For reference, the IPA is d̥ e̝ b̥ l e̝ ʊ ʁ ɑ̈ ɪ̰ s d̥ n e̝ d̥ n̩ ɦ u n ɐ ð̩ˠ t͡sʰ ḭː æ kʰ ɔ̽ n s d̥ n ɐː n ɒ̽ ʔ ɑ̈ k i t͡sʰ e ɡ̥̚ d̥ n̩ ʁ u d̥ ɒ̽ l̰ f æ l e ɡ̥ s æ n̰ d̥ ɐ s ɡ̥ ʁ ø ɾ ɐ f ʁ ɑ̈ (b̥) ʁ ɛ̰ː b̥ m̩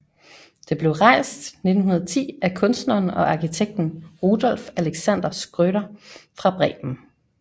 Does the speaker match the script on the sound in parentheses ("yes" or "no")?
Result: yes